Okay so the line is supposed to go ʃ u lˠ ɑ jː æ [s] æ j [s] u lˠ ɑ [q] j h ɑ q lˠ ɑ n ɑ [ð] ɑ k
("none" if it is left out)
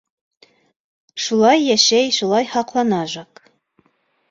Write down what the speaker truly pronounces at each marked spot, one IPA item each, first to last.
ʃ, ʃ, none, ʒ

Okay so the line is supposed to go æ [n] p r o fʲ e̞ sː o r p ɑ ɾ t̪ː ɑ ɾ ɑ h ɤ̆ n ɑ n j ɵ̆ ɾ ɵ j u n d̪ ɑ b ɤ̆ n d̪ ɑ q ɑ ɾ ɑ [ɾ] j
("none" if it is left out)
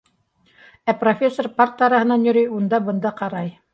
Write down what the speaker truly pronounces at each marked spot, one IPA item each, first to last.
none, none

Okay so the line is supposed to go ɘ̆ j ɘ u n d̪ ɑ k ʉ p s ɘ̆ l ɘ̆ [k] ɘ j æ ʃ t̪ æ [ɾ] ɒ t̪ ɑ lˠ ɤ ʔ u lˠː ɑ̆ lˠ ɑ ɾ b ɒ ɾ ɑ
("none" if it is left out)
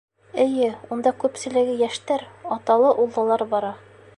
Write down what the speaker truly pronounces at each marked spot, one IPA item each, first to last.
ɡ, ɾ

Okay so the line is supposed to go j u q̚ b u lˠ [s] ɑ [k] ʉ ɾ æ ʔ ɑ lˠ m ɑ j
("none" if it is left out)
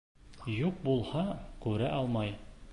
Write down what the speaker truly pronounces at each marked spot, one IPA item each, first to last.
h, k

